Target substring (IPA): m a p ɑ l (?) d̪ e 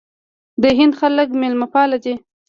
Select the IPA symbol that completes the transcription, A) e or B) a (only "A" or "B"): B